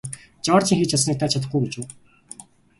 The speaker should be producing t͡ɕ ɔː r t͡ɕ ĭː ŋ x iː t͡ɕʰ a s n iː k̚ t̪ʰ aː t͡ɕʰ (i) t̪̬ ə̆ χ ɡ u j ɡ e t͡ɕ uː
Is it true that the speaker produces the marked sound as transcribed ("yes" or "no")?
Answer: no